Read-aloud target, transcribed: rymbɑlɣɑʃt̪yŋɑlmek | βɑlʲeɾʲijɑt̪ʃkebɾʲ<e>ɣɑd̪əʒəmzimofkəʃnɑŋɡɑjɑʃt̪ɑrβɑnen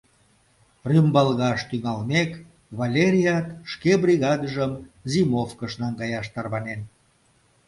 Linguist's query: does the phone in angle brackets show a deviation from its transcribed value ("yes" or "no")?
yes